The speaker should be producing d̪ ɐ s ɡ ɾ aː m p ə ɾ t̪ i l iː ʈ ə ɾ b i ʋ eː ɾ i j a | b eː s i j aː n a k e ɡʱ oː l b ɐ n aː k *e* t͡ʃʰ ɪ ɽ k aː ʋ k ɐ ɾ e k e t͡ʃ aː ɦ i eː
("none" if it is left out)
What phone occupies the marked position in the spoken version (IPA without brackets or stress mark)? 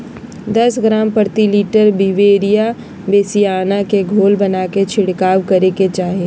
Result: e